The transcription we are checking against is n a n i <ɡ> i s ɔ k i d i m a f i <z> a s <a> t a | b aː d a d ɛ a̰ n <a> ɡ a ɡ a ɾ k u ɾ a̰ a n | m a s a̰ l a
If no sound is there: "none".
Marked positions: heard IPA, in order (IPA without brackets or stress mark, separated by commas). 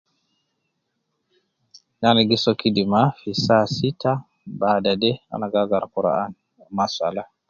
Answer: ɡ, s, i, a